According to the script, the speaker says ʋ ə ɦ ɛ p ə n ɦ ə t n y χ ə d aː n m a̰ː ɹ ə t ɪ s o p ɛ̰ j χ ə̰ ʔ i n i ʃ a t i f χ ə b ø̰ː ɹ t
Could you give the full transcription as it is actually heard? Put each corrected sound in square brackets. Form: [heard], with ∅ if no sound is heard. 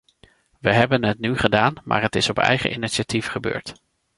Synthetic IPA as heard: ʋ ə ɦ ɛ [b] ə n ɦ ə t n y χ ə d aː n m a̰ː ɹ ə t ɪ s [ɔ] p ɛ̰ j χ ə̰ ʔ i n i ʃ a t i f χ ə b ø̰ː ɹ t